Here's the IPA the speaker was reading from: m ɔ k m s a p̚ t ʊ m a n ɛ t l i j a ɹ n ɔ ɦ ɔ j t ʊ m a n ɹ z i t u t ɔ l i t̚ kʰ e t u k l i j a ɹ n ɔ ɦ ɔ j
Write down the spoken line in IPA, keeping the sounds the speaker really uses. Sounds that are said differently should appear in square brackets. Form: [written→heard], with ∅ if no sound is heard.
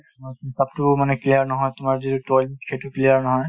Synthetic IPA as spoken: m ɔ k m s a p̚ t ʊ m a n ɛ [t→k] l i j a ɹ n ɔ ɦ ɔ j t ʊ m a [n→∅] ɹ z i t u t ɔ l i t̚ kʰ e t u k l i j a ɹ n ɔ ɦ ɔ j